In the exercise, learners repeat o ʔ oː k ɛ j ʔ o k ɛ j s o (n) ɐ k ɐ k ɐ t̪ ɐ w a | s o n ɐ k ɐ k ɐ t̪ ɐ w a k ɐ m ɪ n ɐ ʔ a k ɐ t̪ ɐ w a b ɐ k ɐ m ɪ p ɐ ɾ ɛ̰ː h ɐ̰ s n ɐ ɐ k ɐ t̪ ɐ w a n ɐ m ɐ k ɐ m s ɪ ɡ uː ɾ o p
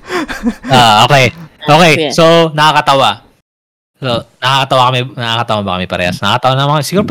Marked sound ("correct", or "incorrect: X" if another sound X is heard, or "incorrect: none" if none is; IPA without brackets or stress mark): correct